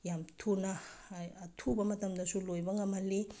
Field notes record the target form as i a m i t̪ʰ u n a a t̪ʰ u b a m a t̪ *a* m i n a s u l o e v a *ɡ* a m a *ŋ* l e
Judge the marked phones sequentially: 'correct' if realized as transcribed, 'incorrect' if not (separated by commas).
correct, incorrect, incorrect